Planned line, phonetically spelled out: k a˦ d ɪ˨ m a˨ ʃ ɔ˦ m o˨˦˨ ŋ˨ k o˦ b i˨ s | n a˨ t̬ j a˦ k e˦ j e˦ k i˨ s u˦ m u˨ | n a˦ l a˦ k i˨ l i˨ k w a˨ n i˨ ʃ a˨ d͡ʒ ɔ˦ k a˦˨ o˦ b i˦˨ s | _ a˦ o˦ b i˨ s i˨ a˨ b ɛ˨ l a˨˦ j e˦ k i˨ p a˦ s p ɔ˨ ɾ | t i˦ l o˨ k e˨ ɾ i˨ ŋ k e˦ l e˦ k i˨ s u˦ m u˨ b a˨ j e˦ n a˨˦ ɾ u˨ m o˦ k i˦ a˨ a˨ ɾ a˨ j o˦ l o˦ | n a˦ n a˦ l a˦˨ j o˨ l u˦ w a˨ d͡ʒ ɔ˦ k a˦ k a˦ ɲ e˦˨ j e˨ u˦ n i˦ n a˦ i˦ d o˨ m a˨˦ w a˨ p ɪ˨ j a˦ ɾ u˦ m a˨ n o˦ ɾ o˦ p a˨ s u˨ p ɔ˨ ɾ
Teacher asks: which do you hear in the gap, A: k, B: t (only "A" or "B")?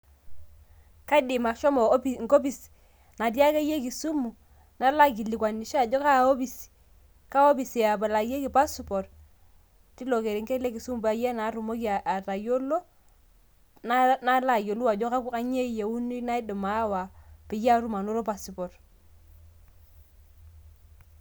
A